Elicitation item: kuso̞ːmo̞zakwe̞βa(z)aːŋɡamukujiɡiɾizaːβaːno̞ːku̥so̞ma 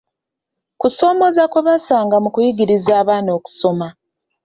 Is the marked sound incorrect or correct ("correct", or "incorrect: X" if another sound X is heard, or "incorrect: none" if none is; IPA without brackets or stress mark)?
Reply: incorrect: s